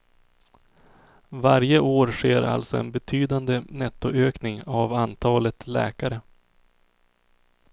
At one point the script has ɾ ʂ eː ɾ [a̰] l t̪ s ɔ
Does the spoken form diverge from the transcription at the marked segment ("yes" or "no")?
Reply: no